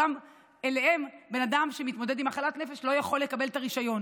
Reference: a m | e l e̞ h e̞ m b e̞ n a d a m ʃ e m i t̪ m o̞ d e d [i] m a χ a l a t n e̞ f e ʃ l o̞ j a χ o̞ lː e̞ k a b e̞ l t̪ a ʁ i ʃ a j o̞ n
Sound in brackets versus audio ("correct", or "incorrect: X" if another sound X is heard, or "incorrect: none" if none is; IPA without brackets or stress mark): correct